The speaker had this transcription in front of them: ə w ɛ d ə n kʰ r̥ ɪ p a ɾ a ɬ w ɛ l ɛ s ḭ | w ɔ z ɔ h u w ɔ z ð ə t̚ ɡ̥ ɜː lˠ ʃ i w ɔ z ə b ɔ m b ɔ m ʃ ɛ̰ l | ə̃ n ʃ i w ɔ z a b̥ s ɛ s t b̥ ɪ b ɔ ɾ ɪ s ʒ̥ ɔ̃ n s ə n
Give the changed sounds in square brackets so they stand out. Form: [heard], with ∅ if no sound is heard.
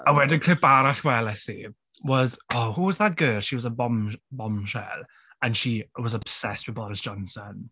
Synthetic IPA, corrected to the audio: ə w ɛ d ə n kʰ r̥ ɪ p a ɾ a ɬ w ɛ l ɛ s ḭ | w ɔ z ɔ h u w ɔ z ð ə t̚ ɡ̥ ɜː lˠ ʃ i w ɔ z ə b ɔ m b ɔ m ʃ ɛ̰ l | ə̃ n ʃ i w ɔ z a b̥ s ɛ s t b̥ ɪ b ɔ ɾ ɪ s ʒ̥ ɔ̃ n s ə n